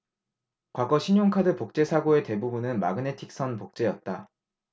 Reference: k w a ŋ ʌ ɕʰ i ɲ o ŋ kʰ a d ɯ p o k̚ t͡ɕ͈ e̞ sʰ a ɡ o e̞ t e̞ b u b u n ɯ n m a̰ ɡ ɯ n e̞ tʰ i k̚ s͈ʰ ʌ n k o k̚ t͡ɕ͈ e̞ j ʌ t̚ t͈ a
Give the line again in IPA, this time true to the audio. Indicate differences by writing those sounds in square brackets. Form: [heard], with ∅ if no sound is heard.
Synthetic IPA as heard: k w a [ɡ] ʌ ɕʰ i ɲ o ŋ kʰ a d ɯ p o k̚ t͡ɕ͈ e̞ sʰ a ɡ o e̞ t e̞ b u b u n ɯ n m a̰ ɡ ɯ n e̞ tʰ i k̚ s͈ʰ ʌ n [p] o k̚ t͡ɕ͈ e̞ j ʌ t̚ t͈ a